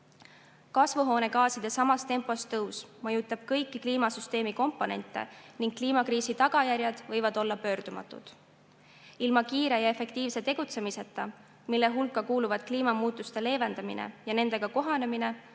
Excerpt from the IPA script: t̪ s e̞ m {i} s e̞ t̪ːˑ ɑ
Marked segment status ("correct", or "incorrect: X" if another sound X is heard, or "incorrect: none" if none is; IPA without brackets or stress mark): correct